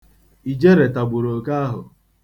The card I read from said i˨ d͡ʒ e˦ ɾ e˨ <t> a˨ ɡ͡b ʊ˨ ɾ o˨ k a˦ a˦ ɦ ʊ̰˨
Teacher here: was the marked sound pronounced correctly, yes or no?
yes